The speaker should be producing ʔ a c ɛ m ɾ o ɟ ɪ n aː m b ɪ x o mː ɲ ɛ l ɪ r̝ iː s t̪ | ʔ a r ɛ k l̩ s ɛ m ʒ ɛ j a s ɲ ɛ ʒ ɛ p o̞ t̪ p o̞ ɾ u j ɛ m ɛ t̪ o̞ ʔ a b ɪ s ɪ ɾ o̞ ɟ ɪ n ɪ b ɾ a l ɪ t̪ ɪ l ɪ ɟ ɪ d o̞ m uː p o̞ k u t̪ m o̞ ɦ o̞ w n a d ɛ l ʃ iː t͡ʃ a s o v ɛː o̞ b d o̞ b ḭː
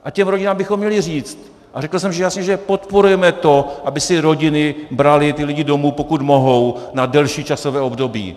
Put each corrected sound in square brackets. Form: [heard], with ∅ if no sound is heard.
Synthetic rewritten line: ʔ a c ɛ m ɾ o ɟ ɪ n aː m b ɪ x o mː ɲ ɛ l ɪ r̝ iː [t͡s] t̪ | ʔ a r ɛ k l̩ s ɛ m ʒ ɛ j a s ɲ ɛ ʒ ɛ p o̞ t̪ p o̞ ɾ u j ɛ m ɛ t̪ o̞ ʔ a b ɪ s ɪ ɾ o̞ ɟ ɪ n ɪ b ɾ a l ɪ t̪ ɪ l ɪ ɟ ɪ d o̞ m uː p o̞ k u t̪ m o̞ ɦ o̞ w n a d ɛ l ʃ iː t͡ʃ a s o v ɛː o̞ b d o̞ b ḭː